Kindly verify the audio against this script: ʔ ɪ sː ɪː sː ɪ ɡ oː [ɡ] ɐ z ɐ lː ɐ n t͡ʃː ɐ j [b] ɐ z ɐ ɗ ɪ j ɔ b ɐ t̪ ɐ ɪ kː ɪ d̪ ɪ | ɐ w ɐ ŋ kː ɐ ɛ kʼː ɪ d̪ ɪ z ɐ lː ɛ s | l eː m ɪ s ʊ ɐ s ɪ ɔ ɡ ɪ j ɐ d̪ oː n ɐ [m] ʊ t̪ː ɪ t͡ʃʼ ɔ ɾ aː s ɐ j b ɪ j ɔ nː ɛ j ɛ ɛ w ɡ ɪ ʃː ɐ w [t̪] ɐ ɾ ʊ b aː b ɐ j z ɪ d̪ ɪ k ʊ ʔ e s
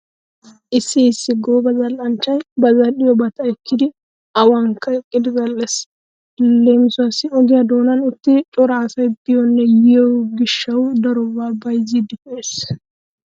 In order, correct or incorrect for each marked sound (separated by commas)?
incorrect, correct, incorrect, incorrect